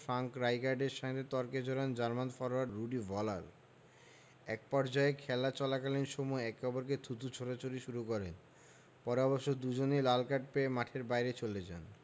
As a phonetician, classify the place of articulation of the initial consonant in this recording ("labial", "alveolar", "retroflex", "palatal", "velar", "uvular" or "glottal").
labial